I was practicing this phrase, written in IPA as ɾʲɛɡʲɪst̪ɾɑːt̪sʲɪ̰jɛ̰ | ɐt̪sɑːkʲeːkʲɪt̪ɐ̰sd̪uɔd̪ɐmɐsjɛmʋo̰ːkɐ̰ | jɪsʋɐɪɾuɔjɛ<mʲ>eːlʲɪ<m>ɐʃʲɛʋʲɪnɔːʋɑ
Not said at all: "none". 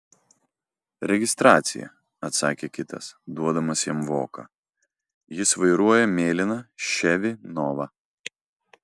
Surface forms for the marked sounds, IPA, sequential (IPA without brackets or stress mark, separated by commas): mʲ, n